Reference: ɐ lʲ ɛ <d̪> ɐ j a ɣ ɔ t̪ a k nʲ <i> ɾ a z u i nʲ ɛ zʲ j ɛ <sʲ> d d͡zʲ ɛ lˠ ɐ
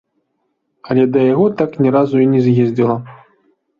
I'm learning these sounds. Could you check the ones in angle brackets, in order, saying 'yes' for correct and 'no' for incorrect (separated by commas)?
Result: yes, no, no